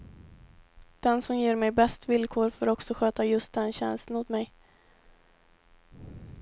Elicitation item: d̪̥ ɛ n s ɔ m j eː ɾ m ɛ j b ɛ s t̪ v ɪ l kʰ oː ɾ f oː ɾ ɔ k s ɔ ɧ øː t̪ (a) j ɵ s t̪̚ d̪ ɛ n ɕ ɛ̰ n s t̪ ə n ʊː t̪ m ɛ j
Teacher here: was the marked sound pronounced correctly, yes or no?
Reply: yes